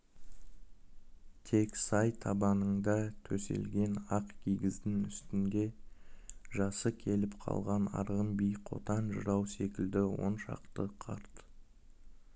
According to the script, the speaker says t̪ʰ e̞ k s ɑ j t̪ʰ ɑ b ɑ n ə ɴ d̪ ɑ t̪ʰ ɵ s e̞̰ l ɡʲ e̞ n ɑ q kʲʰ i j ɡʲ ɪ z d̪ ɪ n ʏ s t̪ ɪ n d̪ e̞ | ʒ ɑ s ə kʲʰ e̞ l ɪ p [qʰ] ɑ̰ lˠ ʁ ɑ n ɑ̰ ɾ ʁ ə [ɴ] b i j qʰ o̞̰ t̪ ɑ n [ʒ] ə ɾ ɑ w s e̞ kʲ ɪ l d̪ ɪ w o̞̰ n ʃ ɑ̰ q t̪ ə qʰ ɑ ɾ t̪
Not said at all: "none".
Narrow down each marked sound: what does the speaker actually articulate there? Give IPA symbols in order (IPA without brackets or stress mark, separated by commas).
qʰ, m, ʒ